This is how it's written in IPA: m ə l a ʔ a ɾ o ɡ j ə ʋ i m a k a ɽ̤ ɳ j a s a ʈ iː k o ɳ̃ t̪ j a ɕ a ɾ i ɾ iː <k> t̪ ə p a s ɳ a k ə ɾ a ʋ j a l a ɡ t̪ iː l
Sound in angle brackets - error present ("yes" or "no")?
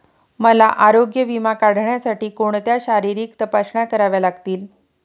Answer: no